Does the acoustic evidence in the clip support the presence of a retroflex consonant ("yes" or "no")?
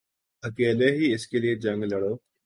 yes